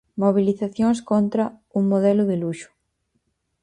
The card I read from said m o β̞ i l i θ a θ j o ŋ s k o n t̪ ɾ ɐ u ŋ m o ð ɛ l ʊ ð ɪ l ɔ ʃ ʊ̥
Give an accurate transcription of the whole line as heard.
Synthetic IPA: m o β̞ i l i θ a θ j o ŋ s k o n t̪ ɾ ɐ u ŋ m o ð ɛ l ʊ ð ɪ l u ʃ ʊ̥